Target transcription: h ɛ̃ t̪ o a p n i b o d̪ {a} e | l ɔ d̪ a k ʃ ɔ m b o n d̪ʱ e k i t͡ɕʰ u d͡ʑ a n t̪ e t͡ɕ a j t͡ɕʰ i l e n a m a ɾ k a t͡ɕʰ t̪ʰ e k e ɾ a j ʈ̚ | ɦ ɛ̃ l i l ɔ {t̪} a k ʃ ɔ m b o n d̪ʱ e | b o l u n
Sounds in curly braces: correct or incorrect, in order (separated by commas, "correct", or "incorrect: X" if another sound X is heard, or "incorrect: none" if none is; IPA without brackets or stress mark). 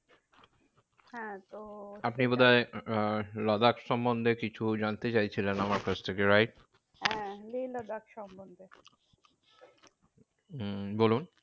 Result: correct, incorrect: d̪